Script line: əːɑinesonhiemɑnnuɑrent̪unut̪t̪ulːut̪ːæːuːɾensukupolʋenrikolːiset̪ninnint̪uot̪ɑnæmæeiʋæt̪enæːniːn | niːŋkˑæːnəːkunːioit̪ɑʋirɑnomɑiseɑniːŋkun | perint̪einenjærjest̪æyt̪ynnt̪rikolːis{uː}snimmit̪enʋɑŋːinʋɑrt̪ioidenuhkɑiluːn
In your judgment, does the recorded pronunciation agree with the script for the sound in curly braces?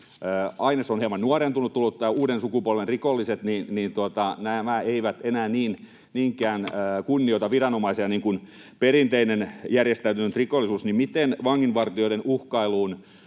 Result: yes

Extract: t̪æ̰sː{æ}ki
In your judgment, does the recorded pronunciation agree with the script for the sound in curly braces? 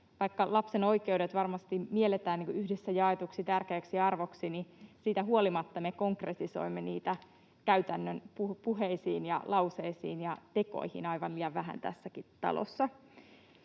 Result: yes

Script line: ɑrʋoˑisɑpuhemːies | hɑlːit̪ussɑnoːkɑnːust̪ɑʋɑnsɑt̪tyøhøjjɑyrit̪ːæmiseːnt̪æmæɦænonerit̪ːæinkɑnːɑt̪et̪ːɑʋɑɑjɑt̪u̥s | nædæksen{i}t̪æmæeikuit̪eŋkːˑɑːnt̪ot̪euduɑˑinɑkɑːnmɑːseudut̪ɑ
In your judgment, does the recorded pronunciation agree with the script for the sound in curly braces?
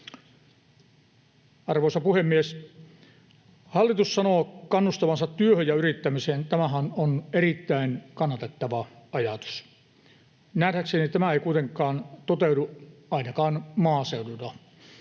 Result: yes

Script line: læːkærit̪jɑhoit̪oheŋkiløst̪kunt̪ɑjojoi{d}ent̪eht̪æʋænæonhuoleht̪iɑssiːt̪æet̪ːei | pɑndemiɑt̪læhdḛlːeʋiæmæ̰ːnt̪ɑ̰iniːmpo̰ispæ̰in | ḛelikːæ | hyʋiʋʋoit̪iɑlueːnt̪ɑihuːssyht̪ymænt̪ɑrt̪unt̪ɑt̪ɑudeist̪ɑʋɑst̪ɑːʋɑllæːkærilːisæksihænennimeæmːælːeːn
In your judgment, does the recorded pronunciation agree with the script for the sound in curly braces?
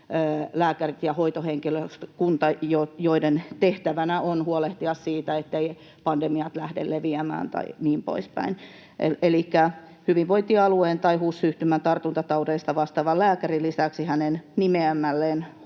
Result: yes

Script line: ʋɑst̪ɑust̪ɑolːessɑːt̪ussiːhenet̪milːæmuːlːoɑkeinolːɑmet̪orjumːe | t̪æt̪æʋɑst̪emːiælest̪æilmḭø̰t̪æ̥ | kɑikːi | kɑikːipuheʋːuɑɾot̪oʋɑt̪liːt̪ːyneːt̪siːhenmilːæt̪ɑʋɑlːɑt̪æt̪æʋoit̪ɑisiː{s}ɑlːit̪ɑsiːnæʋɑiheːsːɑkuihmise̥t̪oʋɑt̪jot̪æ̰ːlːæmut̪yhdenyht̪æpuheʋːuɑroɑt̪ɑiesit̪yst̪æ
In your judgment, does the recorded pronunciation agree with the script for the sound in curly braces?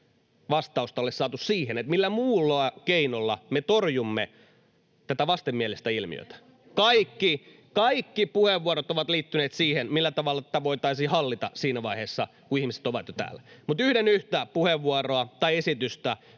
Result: no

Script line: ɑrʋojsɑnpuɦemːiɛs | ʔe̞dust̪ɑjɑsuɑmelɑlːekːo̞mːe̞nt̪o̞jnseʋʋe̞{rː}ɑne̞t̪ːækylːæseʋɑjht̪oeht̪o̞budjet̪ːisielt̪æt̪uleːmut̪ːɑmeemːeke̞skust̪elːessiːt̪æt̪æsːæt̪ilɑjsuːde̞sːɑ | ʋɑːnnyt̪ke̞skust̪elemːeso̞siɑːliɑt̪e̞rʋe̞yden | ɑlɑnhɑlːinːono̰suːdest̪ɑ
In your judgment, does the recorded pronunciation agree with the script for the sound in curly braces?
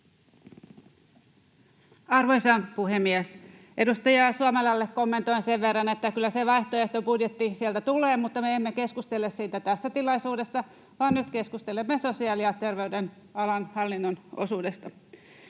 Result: yes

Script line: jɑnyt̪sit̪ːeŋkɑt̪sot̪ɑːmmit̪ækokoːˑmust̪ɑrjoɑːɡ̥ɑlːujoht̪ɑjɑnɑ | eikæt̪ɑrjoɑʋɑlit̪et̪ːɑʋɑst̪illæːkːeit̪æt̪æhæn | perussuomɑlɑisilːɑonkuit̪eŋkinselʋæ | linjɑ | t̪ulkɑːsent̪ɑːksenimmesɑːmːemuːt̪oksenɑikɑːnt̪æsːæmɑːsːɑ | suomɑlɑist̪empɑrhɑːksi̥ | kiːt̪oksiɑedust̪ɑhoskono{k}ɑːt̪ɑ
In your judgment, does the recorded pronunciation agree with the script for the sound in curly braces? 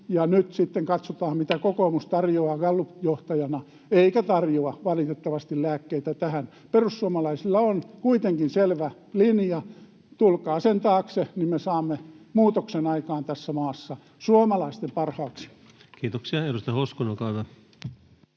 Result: yes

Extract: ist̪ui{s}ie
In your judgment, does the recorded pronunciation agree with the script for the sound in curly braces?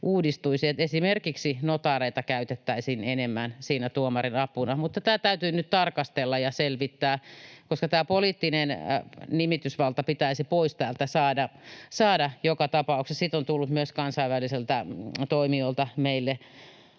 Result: yes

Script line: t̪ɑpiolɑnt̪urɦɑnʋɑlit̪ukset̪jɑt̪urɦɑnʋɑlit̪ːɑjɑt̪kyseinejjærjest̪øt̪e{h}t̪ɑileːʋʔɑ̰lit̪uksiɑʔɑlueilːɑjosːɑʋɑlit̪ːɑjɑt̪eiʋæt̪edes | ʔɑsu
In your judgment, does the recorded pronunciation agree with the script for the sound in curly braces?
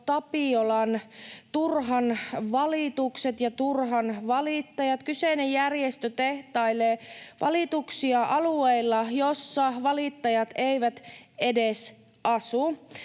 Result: yes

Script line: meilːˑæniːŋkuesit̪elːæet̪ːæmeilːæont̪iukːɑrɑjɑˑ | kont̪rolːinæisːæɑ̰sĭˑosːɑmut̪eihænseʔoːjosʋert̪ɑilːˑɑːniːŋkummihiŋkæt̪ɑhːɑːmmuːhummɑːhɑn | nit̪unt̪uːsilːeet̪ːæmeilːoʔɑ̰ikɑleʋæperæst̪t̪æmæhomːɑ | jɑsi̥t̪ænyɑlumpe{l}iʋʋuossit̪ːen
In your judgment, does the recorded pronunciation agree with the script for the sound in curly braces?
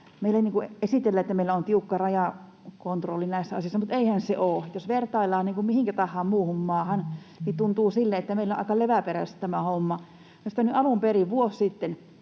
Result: no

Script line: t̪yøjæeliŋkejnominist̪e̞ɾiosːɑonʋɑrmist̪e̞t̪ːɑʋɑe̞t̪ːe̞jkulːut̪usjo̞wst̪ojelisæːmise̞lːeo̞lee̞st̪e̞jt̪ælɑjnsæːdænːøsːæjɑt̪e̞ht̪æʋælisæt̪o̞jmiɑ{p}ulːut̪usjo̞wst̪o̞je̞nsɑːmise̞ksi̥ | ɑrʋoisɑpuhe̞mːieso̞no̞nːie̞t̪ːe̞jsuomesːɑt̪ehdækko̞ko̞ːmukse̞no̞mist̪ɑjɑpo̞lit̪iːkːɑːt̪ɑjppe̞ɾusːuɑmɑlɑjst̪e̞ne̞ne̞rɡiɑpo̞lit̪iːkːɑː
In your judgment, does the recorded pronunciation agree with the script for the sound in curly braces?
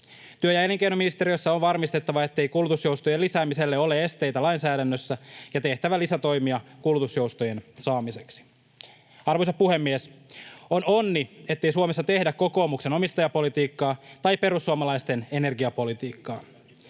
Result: no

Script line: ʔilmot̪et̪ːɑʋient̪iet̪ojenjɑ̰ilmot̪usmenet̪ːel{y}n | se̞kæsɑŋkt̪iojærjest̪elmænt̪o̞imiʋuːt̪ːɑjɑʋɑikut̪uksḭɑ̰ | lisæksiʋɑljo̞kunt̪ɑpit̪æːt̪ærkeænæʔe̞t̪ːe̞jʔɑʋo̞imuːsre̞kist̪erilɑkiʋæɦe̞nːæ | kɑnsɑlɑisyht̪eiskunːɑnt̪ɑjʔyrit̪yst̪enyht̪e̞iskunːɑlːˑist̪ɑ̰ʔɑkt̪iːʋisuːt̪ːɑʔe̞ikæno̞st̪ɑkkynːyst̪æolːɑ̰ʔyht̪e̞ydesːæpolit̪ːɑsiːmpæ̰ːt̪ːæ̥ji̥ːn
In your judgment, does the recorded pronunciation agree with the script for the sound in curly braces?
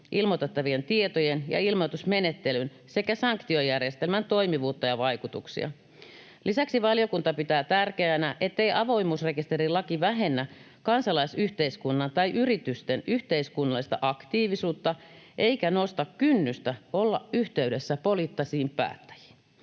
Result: yes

